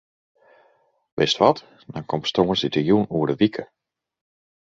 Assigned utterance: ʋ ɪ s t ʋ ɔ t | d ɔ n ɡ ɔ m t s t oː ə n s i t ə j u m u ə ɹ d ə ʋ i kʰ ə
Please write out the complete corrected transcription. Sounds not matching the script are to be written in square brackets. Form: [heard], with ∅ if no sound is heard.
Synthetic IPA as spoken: ʋ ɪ s t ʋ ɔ t | d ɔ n [k] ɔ m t s t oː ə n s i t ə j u [n] u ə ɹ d ə ʋ i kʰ ə

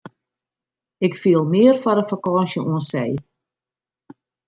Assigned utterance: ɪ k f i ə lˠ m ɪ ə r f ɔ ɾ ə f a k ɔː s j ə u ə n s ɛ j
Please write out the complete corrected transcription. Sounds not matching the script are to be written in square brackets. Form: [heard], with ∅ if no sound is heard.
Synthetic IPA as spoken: ɪ k f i ə lˠ m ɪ ə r f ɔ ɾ ə f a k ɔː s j ə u ə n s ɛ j

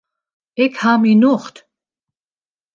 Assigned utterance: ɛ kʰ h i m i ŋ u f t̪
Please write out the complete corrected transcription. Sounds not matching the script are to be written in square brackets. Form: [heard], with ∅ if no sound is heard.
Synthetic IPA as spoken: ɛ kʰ h [a] m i [n] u [χ] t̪

